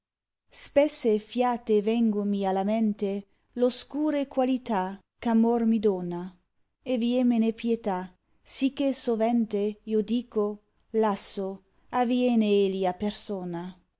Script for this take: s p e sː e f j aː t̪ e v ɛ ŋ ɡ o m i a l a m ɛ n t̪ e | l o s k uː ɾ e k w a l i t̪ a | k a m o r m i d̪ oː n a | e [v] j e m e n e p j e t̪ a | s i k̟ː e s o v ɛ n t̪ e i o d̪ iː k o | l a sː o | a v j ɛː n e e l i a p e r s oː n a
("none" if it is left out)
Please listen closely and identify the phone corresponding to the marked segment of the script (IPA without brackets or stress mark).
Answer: v